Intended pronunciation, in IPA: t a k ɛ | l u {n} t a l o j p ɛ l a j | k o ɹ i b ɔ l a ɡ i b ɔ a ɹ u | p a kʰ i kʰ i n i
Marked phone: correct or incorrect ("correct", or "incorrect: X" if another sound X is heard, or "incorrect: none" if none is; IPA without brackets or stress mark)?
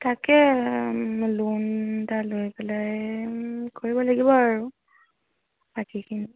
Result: correct